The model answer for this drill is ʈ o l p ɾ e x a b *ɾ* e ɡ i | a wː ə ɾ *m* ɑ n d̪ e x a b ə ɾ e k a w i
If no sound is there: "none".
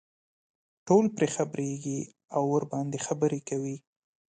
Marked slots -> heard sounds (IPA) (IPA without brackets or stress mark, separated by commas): ɾ, b